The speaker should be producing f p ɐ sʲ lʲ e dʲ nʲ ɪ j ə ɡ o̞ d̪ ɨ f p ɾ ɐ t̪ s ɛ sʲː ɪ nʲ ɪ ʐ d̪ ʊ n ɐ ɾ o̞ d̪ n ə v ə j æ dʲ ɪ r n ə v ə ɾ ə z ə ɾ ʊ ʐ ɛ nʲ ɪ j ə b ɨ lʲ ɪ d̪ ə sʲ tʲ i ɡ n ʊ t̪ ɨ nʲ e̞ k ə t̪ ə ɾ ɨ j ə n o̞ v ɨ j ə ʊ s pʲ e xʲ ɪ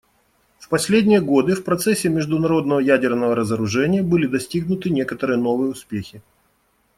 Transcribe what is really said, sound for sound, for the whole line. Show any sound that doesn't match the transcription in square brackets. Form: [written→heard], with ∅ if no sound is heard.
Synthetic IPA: f p ɐ sʲ lʲ e dʲ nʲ ɪ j ə ɡ o̞ d̪ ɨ f p ɾ ɐ t̪ s ɛ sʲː ɪ [nʲ→mʲ] ɪ ʐ d̪ ʊ n ɐ ɾ o̞ d̪ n ə v ə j æ dʲ ɪ r n ə v ə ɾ ə z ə ɾ ʊ ʐ ɛ nʲ ɪ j ə b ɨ lʲ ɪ d̪ [ə→ɐ] sʲ tʲ i ɡ n ʊ t̪ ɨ nʲ e̞ k ə t̪ ə ɾ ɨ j ə n o̞ v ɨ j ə ʊ s pʲ e xʲ ɪ